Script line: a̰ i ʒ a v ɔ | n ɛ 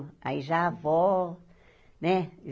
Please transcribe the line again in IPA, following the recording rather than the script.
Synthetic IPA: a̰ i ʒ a v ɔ | n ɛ